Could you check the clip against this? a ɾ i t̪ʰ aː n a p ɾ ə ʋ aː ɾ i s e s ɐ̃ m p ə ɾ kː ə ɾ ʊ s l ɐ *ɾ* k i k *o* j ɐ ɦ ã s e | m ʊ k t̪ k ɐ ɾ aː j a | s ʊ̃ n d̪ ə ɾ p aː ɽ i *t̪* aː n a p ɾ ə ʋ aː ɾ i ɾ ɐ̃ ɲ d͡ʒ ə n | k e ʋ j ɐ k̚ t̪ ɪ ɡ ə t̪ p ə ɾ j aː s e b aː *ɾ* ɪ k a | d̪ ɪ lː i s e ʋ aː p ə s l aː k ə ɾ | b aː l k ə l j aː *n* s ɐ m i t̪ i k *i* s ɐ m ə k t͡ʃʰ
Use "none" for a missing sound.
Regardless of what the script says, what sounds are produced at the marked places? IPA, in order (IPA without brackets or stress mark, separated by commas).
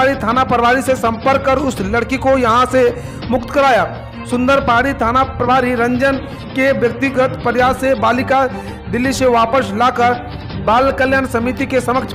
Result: ɽ, o, t̪ʰ, l, n, e